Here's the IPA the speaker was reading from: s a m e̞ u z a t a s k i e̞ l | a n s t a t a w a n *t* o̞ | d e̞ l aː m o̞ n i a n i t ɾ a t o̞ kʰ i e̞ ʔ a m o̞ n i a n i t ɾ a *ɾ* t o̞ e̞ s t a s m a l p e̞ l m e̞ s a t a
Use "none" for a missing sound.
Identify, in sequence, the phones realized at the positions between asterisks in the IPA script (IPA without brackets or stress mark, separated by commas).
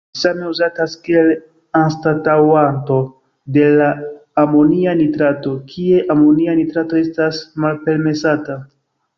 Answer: t, none